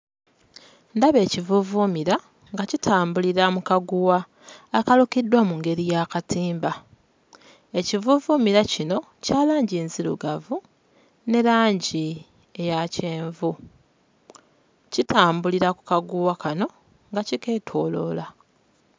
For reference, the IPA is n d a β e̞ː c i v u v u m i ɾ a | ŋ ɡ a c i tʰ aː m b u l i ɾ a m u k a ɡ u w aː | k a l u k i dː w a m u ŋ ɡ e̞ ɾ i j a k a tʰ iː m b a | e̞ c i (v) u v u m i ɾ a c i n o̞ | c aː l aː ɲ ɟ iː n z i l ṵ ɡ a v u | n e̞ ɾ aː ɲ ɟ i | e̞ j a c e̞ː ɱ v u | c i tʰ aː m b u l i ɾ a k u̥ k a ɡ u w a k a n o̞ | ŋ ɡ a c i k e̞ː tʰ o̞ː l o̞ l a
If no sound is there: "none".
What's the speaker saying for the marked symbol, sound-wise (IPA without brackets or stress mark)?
v